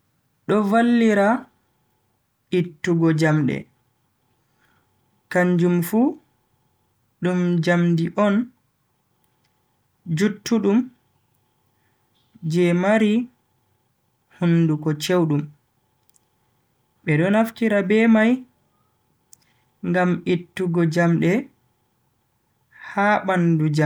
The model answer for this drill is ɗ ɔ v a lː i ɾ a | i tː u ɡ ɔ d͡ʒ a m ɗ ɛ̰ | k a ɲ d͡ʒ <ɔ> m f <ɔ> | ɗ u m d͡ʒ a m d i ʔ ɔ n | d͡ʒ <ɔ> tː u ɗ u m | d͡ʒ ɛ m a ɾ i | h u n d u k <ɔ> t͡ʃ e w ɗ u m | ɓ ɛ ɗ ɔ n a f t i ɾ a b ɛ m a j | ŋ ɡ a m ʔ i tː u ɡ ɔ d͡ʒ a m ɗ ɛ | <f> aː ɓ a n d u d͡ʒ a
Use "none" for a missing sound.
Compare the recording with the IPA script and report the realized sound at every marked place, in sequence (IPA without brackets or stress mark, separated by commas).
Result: u, u, u, ɔ, h